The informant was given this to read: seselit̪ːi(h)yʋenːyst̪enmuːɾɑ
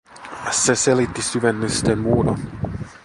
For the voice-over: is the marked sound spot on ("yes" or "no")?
no